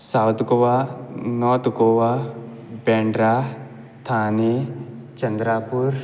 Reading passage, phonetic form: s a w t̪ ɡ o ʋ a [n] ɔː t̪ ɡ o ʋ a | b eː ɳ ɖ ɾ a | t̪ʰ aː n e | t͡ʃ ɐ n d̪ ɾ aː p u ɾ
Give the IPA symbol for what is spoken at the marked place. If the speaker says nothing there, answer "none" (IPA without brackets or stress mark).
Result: n